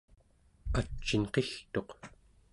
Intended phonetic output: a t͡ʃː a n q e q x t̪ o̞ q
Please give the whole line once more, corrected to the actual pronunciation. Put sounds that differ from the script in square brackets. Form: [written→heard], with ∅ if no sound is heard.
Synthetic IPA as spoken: a t͡ʃː [a→i] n q e [q→∅] x t̪ o̞ q